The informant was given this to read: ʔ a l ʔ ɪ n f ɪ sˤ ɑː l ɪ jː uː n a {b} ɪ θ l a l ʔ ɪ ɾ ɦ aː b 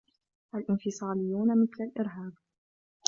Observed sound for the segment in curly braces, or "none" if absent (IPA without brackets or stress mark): m